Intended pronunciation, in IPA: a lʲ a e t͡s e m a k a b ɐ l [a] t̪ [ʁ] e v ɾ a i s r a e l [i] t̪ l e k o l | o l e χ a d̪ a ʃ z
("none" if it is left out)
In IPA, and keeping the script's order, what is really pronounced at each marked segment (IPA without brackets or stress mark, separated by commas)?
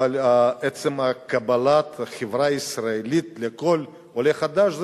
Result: a, χ, i